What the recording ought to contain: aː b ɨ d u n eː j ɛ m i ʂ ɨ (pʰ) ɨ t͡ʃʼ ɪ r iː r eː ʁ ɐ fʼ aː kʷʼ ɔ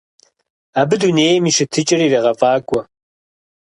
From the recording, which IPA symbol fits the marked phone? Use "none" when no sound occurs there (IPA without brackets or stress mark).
tʰ